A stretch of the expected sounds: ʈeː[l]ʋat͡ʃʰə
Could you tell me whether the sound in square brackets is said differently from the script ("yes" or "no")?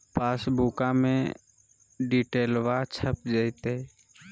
no